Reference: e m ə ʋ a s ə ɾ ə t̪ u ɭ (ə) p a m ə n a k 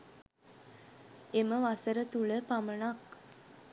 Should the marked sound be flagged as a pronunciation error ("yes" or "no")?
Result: no